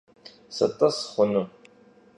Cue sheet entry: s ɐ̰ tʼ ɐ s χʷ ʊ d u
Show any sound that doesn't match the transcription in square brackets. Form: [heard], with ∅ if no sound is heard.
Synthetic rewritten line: s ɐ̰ tʼ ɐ s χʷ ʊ [n] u